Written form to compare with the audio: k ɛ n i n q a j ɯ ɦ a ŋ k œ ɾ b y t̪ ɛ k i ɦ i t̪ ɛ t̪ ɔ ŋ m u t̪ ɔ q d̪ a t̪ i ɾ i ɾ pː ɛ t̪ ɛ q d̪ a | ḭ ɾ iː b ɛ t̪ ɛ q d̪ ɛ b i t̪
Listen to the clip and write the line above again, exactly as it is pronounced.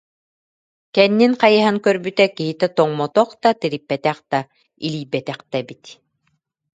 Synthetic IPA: k ɛ nː i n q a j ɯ ɦ a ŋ k œ ɾ b y t̪ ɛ k i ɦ i t̪ ɛ t̪ ɔ ŋ m ɔ t̪ ɔ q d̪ a t̪ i ɾ i pː ɛ t̪ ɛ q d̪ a | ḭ l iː b ɛ t̪ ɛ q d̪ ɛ b i t̪